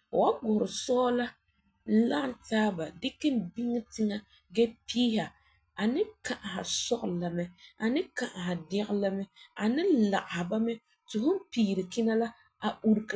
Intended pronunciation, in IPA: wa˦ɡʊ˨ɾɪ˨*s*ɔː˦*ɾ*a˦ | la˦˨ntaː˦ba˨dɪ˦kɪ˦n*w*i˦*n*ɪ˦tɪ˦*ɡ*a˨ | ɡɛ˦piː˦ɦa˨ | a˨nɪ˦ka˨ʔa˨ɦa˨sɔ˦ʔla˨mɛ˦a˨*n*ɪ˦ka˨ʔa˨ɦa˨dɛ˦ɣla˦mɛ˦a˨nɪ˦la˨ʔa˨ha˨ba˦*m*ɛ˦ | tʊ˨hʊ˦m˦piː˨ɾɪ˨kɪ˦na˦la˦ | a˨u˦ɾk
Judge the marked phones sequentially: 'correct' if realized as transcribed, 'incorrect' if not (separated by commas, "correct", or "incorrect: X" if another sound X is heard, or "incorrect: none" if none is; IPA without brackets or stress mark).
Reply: correct, incorrect: l, incorrect: b, incorrect: ŋ, incorrect: ŋ, correct, correct